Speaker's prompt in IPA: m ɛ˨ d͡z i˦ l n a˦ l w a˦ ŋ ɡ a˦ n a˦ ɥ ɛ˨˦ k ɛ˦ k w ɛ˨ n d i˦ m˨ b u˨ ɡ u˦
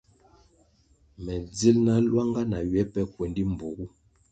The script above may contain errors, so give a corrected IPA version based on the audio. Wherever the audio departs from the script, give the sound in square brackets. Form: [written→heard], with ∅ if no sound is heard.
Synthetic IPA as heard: m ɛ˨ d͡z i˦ l n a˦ l w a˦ ŋ ɡ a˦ n [a˦→a˨] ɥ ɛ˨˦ [k→p] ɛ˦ k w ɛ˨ n d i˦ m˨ b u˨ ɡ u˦